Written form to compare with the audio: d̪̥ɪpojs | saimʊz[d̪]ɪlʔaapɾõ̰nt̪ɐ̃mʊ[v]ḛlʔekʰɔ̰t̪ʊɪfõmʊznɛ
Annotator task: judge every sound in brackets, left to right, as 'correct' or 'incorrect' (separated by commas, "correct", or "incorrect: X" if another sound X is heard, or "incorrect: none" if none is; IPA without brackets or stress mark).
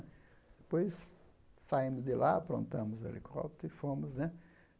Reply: correct, incorrect: z